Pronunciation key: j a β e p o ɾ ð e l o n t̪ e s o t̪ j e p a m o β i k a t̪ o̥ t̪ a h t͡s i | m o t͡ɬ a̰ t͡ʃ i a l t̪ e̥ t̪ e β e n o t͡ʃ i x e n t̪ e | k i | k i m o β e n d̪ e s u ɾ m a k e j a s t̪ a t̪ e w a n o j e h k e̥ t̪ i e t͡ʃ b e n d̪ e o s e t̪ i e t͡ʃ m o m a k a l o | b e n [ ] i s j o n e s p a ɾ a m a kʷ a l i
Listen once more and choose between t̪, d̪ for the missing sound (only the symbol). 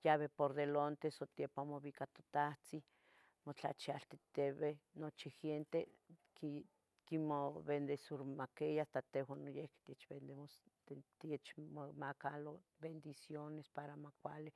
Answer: d̪